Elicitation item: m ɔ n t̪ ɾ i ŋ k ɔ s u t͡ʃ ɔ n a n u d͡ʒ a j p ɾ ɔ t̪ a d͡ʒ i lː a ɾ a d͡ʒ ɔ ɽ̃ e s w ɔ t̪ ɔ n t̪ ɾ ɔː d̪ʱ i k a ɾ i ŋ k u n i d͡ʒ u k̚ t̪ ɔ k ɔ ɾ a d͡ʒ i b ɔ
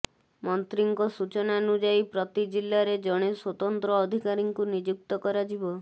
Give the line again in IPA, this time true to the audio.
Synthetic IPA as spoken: m ɔ n t̪ ɾ i ŋ k ɔ s u t͡ʃ ɔ n a n u d͡ʒ a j p ɾ ɔ t̪ i d͡ʒ i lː a ɾ e d͡ʒ ɔ ɽ̃ e s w ɔ t̪ ɔ n t̪ ɾ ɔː d̪ʱ i k a ɾ i ŋ k u n i d͡ʒ u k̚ t̪ ɔ k ɔ ɾ a d͡ʒ i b ɔ